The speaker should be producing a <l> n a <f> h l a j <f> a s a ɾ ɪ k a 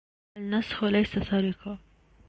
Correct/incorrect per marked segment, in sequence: correct, incorrect: s, incorrect: s

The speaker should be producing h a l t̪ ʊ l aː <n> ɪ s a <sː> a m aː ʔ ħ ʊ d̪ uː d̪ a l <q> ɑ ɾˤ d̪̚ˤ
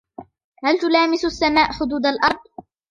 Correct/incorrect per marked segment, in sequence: incorrect: m, correct, incorrect: ʔ

